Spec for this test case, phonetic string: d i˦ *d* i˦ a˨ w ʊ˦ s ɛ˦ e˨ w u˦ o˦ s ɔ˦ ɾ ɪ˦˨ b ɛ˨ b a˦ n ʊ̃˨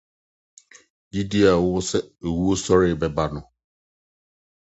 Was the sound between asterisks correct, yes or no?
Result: yes